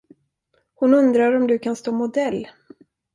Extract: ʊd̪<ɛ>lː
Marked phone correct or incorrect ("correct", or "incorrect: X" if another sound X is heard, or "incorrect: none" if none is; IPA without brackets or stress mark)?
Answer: correct